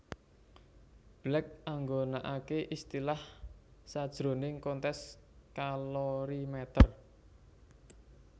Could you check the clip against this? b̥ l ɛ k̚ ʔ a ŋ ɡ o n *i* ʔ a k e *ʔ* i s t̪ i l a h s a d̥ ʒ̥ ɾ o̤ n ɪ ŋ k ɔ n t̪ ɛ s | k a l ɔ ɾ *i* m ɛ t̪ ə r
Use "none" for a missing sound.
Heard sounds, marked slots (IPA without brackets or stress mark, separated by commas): a, ʔ, i